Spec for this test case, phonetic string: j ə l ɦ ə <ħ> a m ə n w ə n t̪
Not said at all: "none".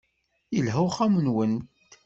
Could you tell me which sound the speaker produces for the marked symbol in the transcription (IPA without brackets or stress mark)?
χ